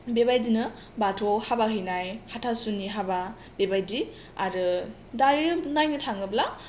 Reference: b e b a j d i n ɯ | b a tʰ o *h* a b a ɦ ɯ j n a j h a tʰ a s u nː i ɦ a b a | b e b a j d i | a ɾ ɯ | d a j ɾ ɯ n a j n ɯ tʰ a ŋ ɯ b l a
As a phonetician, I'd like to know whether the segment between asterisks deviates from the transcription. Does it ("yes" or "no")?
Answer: no